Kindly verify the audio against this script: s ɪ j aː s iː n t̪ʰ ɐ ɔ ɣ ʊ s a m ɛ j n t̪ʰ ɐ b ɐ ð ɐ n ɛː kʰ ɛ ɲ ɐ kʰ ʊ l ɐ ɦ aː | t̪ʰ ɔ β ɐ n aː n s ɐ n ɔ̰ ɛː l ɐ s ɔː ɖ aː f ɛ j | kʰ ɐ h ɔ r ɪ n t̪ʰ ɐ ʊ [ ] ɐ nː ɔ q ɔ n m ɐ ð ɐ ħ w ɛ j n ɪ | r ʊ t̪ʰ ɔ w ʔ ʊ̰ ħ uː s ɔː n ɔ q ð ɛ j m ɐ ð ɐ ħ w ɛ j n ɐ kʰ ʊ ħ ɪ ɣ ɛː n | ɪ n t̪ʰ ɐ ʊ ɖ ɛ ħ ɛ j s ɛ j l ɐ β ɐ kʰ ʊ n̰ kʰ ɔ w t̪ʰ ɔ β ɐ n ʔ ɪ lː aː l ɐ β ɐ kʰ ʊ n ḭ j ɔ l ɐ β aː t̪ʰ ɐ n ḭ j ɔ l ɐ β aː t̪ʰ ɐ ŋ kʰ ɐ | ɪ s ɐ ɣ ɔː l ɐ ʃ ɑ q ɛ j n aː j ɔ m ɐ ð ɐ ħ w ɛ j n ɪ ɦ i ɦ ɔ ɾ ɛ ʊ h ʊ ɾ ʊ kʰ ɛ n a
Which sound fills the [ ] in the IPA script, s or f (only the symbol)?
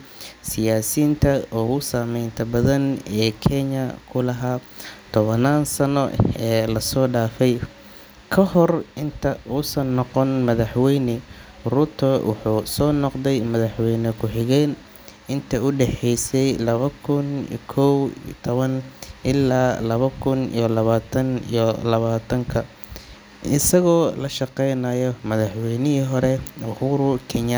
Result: s